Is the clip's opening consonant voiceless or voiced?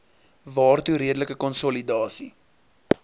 voiced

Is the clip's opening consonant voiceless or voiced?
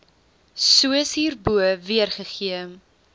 voiceless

